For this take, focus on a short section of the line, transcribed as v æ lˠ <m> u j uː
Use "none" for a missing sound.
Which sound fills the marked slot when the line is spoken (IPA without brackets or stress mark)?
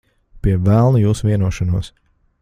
n